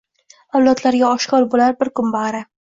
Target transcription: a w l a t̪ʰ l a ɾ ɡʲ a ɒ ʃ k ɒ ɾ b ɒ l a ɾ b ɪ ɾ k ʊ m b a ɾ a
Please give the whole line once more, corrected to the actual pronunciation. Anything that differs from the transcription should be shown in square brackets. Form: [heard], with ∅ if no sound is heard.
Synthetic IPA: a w l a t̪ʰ l a ɾ ɡʲ a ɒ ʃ k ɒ ɾ b [o] l a ɾ b ɪ ɾ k ʊ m b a ɾ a